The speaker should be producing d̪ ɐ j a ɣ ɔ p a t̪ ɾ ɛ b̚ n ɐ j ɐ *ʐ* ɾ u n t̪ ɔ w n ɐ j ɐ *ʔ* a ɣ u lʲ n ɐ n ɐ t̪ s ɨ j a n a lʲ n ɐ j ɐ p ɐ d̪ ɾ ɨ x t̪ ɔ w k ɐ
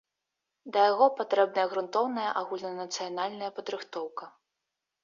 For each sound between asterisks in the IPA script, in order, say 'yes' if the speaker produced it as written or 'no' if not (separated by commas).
no, yes